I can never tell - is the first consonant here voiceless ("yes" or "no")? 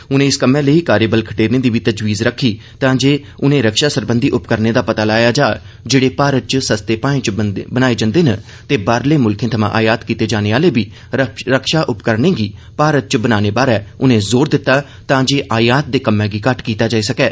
no